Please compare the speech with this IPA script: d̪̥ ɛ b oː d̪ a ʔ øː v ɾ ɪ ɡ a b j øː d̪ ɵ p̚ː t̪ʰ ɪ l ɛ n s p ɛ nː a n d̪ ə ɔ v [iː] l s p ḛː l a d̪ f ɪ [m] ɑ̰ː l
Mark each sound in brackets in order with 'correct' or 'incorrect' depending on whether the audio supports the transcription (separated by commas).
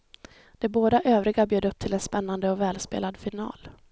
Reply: incorrect, incorrect